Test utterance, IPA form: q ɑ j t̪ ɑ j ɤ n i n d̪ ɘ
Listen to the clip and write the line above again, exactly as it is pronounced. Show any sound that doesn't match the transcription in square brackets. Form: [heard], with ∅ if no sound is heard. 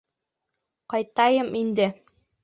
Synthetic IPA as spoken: q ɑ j t̪ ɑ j ɤ [m] i n d̪ ɘ